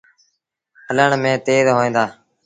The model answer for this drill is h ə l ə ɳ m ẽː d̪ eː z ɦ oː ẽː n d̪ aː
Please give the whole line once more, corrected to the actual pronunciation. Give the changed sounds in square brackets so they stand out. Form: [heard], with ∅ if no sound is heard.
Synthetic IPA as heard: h ə l ə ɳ m ẽː [t̪] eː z ɦ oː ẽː n d̪ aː